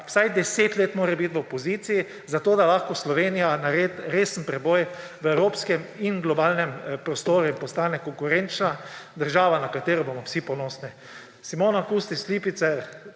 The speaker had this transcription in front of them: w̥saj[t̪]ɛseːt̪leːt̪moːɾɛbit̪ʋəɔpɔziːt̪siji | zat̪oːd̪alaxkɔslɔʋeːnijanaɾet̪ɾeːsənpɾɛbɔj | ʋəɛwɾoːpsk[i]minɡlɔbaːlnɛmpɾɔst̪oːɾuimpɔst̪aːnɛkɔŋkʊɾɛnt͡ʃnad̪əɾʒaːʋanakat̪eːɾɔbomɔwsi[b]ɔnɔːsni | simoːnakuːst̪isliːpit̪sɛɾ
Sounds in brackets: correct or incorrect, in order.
incorrect: d̪, incorrect: ɛ, incorrect: p

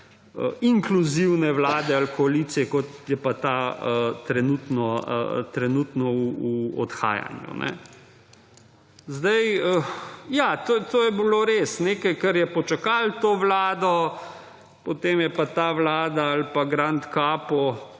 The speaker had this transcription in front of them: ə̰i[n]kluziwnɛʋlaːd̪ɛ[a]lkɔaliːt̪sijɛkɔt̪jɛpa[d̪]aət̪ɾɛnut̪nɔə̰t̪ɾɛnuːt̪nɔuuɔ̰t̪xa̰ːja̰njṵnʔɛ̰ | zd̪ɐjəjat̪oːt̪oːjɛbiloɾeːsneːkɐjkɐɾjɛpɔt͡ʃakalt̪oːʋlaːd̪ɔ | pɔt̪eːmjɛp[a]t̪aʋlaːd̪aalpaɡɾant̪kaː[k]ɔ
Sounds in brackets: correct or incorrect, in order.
incorrect: ŋ, correct, incorrect: t̪, correct, incorrect: p

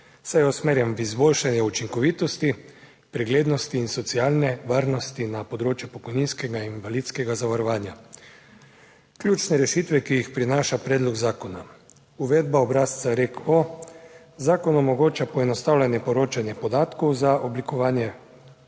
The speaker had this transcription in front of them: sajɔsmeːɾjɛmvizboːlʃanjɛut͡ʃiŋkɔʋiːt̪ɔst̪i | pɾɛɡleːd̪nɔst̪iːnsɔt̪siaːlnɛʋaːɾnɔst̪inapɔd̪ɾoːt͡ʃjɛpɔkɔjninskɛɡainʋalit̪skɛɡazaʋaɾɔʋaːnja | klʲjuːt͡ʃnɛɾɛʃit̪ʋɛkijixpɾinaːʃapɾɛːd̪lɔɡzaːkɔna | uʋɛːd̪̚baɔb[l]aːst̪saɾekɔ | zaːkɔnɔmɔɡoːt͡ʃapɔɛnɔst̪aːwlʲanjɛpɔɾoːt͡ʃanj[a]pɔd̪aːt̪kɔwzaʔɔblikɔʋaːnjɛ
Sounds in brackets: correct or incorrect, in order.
incorrect: ɾ, incorrect: ɛ

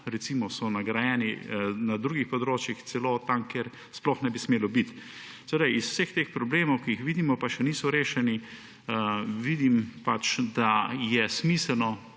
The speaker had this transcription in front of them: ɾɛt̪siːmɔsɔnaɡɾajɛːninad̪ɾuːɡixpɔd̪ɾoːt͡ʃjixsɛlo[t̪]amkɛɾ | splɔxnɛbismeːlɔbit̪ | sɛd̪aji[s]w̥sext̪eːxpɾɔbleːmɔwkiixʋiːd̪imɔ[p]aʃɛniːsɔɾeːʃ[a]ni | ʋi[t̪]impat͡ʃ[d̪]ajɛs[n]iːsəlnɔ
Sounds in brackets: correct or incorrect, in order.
correct, correct, correct, incorrect: ɛ, incorrect: d̪, correct, incorrect: m

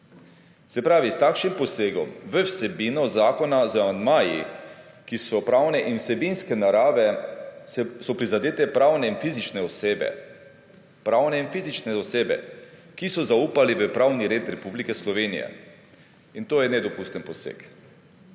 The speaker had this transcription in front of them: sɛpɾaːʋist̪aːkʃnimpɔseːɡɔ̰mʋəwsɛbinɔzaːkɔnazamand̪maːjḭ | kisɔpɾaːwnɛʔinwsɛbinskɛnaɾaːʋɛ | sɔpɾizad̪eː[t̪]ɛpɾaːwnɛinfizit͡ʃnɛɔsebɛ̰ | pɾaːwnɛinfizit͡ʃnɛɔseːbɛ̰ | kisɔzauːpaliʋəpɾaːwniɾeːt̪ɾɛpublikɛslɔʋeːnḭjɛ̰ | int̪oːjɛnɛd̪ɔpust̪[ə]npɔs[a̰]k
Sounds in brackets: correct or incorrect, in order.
correct, correct, incorrect: ḛ

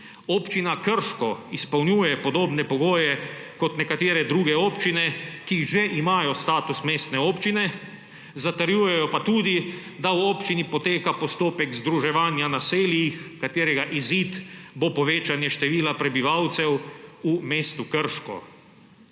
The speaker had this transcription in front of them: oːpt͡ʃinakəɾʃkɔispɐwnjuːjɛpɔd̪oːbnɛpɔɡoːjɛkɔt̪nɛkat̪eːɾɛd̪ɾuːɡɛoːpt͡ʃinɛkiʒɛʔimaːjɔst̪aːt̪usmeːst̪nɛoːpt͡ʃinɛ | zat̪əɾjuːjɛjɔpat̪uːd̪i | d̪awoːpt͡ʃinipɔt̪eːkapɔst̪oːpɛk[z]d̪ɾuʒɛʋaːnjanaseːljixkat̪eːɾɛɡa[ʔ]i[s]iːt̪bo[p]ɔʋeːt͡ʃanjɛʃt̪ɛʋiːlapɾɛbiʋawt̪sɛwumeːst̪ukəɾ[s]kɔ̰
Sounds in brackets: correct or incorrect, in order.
correct, correct, incorrect: z, correct, incorrect: ʃ

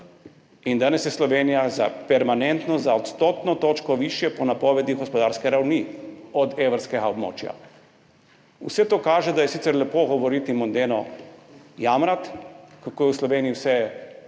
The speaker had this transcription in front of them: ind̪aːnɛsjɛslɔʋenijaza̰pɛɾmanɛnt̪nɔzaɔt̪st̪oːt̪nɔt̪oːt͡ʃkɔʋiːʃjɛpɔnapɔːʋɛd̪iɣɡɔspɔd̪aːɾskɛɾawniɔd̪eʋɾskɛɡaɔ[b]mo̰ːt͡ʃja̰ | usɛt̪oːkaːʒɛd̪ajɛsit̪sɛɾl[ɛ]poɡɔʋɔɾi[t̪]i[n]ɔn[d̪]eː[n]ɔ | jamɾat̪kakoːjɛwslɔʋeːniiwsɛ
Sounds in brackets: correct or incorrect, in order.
correct, correct, correct, incorrect: m, correct, correct

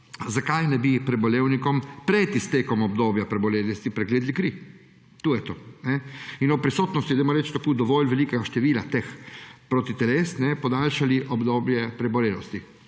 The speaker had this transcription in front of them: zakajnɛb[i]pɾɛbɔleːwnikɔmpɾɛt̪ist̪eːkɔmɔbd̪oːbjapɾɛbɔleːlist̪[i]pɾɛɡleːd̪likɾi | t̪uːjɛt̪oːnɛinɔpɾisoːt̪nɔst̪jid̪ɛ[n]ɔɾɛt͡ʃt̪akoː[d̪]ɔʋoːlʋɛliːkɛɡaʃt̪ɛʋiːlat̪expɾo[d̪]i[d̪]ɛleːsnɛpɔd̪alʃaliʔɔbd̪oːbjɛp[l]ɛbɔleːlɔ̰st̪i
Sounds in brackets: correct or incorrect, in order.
correct, correct, incorrect: m, correct, incorrect: t̪, incorrect: t̪, incorrect: ɾ

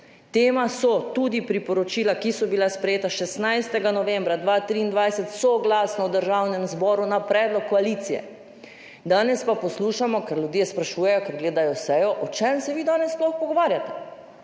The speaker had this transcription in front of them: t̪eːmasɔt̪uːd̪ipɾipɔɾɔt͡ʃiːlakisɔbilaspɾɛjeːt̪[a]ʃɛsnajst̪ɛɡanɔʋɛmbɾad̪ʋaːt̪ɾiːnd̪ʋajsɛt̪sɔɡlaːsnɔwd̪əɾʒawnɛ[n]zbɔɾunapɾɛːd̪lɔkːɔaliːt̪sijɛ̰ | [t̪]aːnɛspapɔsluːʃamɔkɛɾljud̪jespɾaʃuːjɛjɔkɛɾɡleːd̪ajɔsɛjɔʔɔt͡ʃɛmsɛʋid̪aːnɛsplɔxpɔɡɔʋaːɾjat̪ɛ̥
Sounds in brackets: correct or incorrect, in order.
correct, incorrect: m, incorrect: d̪

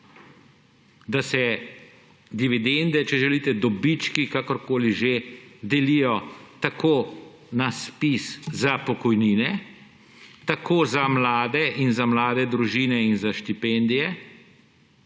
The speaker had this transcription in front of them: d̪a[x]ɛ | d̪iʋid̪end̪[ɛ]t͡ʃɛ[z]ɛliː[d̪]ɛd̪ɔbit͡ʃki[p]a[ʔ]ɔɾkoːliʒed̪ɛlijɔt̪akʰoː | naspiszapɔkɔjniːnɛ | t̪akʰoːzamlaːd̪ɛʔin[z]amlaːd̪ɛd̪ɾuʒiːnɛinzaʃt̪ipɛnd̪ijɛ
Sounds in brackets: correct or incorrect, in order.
incorrect: s, correct, incorrect: ʒ, incorrect: t̪, incorrect: k, incorrect: k, correct

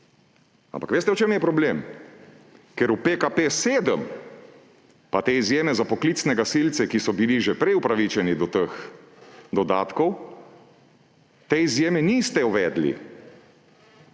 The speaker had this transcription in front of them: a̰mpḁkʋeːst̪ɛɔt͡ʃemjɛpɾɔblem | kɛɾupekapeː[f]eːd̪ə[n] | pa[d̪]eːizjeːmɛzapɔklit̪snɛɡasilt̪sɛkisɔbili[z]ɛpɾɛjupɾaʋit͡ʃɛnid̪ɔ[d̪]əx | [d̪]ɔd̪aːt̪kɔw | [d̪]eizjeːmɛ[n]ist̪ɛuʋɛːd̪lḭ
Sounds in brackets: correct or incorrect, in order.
incorrect: s, incorrect: m, incorrect: t̪, incorrect: ʒ, incorrect: t̪, correct, incorrect: t̪, correct

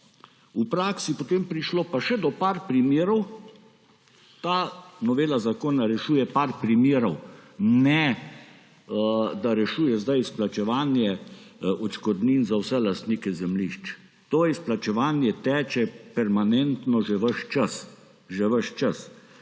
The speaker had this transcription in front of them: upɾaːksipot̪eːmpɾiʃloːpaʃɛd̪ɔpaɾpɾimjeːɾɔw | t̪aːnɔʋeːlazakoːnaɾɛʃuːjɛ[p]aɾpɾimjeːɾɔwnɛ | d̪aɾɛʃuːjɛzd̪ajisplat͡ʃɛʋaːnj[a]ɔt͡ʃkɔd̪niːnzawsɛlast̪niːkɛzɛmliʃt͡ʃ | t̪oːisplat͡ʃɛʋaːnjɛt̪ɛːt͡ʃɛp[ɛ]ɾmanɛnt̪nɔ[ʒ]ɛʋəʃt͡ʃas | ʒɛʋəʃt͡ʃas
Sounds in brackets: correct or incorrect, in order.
correct, incorrect: ɛ, correct, correct

